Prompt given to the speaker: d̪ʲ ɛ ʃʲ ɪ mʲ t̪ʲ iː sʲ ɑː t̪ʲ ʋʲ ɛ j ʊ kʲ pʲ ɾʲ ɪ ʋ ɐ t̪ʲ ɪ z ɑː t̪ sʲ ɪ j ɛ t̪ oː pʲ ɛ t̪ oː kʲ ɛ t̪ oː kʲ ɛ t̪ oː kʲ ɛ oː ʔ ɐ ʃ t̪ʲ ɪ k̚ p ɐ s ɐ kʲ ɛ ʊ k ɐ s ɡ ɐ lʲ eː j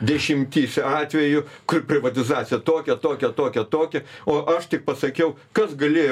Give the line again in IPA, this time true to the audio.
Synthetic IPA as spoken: d̪ʲ ɛ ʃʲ ɪ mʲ t̪ʲ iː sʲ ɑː t̪ʲ ʋʲ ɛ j ʊ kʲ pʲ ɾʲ ɪ ʋ ɐ t̪ʲ ɪ z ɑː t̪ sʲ ɪ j ɛ t̪ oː kʲ ɛ t̪ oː kʲ ɛ t̪ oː kʲ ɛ t̪ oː kʲ ɛ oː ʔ ɐ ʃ t̪ʲ ɪ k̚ p ɐ s ɐ kʲ ɛ ʊ k ɐ s ɡ ɐ lʲ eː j